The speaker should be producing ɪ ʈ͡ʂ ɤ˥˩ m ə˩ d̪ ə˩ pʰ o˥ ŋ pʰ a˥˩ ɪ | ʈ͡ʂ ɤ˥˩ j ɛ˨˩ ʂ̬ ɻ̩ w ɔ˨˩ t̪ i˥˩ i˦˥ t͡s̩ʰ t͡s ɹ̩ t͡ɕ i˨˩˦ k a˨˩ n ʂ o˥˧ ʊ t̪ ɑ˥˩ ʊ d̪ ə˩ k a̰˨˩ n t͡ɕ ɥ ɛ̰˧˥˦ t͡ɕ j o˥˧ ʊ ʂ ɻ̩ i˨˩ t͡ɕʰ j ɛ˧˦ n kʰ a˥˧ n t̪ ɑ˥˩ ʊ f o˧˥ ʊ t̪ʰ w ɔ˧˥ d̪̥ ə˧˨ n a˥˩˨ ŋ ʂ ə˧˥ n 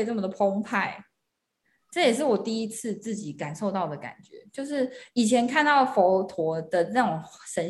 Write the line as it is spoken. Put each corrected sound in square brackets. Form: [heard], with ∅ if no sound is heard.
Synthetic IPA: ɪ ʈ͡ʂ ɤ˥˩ m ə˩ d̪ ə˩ pʰ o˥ ŋ pʰ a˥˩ ɪ | ʈ͡ʂ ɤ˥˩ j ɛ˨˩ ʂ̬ ɻ̩ w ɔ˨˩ t̪ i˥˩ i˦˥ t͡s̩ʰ t͡s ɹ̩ t͡ɕ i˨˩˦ k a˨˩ n ʂ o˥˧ ʊ t̪ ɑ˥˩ ʊ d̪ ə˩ k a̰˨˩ n t͡ɕ ɥ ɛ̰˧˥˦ t͡ɕ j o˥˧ ʊ ʂ ɻ̩ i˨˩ t͡ɕʰ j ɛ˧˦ n kʰ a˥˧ n t̪ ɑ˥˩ ʊ f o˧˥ ʊ t̪ʰ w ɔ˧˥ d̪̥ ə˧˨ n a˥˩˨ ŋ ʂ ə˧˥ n